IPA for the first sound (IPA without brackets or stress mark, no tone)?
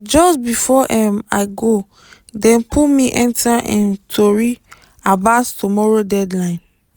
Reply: d͡ʒ